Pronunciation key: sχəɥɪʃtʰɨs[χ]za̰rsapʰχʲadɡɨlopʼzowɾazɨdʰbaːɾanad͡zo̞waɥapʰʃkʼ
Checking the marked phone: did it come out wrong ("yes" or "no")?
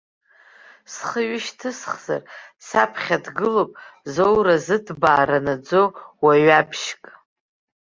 no